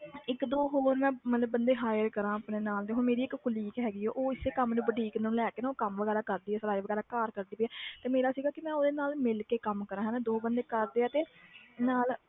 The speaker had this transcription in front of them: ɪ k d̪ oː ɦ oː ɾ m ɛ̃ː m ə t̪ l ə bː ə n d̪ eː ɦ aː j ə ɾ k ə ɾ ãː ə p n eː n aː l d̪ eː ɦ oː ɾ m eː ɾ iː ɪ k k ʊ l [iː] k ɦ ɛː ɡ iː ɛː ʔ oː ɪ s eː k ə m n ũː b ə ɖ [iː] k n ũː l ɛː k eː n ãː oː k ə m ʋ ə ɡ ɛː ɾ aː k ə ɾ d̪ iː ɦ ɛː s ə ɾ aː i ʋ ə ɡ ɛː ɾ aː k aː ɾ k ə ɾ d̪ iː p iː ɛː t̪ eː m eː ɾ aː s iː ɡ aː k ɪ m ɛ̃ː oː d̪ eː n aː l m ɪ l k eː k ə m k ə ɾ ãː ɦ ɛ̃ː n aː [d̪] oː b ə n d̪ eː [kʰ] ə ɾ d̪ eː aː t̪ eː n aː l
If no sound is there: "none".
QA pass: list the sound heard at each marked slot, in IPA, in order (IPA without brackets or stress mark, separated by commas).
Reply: iː, iː, d̪, k